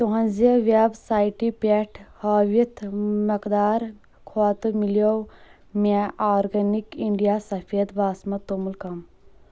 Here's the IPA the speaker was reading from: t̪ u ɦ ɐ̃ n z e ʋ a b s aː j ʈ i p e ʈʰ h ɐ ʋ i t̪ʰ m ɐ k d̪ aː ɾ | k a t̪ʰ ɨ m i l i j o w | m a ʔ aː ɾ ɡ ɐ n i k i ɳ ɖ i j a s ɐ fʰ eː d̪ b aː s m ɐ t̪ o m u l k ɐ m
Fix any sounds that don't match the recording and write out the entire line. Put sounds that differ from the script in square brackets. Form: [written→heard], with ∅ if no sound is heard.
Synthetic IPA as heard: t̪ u ɦ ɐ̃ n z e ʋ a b s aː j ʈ i p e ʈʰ h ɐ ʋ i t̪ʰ m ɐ k d̪ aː ɾ | [k→kʰ] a [t̪ʰ→t̪] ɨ m i l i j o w | m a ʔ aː ɾ ɡ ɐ n i k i ɳ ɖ i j a s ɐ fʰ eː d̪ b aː s m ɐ t̪ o m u l k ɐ m